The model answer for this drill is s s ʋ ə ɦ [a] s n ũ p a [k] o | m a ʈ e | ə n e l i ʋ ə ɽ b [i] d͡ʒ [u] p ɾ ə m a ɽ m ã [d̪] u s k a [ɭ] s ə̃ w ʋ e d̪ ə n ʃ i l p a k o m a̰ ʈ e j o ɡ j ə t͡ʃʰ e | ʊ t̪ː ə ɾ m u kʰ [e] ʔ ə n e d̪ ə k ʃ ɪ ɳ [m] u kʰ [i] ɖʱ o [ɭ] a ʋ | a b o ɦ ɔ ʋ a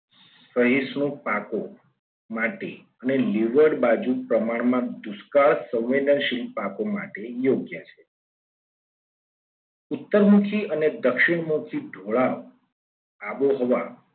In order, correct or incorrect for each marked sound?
incorrect, correct, incorrect, correct, correct, correct, incorrect, correct, correct, correct

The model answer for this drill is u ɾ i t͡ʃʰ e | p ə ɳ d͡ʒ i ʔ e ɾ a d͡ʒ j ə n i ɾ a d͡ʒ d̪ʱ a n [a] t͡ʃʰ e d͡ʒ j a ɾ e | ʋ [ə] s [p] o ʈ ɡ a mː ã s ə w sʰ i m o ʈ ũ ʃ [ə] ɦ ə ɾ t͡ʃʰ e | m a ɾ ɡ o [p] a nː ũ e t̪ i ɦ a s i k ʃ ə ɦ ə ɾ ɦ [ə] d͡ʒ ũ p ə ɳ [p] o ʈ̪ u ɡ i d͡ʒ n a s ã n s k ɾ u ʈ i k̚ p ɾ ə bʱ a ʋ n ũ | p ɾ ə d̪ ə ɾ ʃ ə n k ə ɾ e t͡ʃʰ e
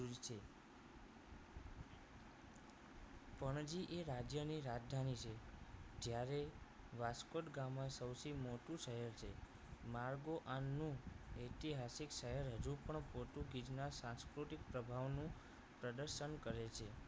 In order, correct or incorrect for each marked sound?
incorrect, incorrect, incorrect, correct, incorrect, correct, correct

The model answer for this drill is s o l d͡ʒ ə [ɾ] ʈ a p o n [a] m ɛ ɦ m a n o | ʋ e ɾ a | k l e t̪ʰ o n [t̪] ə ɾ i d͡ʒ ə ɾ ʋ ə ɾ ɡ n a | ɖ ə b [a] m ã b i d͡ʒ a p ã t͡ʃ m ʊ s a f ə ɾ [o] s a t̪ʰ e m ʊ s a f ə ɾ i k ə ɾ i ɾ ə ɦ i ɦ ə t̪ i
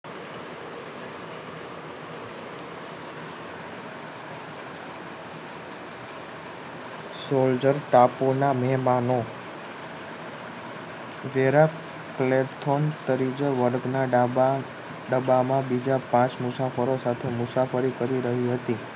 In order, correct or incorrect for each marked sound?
correct, correct, correct, correct, correct

